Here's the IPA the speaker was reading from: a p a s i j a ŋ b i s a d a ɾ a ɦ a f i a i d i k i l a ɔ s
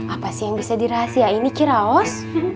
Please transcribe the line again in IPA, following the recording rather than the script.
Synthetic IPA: a p a s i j a ŋ b i s a d i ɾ a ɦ a s i a i n i k i ɾ a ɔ s